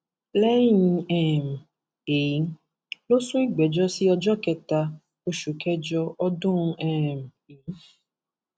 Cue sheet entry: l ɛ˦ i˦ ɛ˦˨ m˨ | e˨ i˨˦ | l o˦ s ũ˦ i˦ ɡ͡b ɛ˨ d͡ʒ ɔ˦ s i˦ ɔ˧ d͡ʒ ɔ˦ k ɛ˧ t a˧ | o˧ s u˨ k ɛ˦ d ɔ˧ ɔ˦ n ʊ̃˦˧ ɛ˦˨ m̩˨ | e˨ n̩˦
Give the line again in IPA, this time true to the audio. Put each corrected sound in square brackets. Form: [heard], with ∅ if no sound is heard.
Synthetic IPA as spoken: l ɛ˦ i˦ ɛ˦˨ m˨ | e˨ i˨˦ | l o˦ s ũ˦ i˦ ɡ͡b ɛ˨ d͡ʒ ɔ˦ s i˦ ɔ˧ d͡ʒ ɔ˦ k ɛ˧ t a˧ | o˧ [ʃ] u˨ k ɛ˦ [d͡ʒ] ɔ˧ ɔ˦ [d] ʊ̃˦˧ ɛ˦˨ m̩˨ | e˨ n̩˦